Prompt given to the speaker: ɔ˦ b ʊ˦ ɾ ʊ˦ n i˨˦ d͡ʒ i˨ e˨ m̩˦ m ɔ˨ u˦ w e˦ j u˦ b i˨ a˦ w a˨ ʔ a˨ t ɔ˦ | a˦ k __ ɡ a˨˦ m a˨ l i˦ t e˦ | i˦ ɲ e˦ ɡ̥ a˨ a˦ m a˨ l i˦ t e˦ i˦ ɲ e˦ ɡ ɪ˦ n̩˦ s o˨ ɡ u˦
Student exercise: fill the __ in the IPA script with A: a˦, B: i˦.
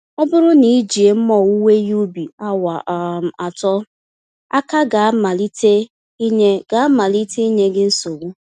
A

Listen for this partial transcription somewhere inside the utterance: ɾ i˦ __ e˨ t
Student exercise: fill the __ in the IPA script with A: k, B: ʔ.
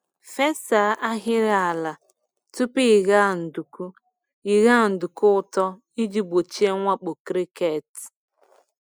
A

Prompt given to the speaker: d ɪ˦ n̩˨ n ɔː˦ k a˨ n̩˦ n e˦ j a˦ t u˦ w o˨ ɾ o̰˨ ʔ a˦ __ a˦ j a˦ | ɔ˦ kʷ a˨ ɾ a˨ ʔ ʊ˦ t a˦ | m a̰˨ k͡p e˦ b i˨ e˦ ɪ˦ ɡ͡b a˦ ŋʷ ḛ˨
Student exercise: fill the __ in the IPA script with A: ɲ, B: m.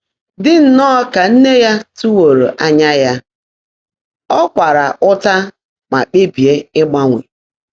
A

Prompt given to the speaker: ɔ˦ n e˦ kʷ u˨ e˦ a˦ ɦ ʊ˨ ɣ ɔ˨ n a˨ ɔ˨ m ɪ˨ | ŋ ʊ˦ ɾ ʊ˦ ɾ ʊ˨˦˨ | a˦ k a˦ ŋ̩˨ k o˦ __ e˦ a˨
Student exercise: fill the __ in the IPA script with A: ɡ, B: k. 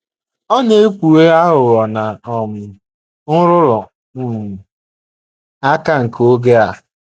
A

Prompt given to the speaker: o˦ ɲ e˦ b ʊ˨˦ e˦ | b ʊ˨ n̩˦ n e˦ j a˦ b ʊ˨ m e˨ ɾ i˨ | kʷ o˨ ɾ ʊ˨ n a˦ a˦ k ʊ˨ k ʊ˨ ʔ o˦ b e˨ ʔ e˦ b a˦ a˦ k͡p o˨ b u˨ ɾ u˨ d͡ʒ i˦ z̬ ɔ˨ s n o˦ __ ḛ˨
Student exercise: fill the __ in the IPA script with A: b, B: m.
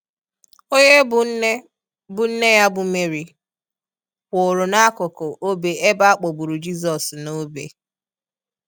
A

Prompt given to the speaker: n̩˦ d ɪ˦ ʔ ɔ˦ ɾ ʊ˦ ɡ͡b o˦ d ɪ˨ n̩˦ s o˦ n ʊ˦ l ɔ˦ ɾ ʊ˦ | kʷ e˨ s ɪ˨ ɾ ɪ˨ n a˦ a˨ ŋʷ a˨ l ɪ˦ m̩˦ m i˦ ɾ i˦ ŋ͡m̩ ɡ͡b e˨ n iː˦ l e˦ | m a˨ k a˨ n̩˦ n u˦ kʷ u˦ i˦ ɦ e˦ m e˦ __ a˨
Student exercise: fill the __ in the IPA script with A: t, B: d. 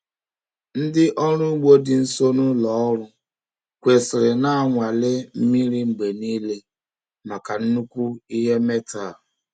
A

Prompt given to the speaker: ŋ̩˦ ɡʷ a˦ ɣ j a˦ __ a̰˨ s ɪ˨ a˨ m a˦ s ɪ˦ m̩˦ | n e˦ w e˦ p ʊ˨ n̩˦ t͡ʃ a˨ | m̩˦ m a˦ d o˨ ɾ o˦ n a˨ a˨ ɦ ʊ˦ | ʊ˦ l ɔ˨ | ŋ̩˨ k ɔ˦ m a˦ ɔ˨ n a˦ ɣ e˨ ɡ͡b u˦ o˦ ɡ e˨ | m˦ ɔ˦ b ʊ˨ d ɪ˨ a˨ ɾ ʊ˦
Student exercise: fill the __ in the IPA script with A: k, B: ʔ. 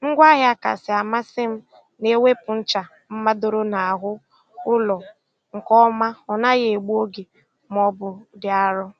A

